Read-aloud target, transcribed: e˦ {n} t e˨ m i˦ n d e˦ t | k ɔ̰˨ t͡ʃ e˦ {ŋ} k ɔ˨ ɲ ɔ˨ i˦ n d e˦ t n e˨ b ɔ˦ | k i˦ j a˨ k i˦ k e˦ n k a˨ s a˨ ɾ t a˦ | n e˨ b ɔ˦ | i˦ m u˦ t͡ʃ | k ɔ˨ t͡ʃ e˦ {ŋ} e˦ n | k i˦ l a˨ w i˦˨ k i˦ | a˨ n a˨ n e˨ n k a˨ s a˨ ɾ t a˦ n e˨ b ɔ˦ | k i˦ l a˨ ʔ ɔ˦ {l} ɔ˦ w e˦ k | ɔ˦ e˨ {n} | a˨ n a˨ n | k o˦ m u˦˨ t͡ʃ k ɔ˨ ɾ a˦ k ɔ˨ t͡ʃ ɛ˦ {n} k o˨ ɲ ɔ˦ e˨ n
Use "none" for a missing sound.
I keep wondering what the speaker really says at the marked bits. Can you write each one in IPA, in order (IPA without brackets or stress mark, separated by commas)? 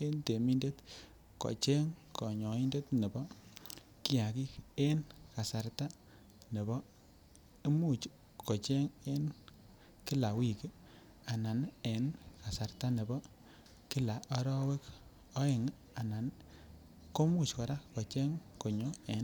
n, ŋ, ŋ, ɾ, ŋ, ŋ